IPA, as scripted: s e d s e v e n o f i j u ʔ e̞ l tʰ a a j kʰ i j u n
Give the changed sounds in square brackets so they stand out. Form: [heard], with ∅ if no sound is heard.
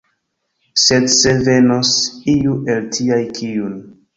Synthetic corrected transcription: s e d s e v e n o [s] i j u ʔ e̞ l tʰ [i] a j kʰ i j u n